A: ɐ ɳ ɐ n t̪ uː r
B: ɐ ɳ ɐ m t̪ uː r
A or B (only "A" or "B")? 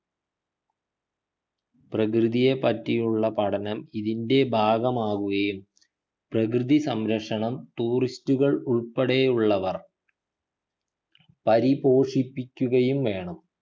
B